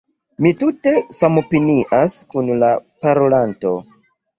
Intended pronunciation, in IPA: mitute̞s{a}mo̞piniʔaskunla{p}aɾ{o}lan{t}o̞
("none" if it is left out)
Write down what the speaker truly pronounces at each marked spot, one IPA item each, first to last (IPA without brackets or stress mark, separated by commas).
a, p, o, t